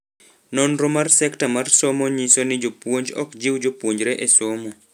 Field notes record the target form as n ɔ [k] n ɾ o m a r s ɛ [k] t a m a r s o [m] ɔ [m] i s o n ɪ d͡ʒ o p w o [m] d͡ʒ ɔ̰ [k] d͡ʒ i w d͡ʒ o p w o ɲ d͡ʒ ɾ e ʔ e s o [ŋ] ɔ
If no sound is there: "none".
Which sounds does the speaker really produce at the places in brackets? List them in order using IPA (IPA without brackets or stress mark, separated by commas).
none, k, m, ɲ, ɲ, k, m